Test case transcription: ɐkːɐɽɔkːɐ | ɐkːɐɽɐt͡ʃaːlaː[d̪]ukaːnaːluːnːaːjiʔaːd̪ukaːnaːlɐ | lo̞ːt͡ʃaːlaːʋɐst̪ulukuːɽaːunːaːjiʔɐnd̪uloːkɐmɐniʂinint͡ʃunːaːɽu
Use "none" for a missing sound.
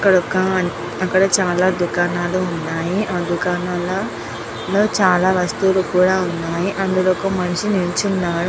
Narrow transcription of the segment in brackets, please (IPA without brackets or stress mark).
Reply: d̪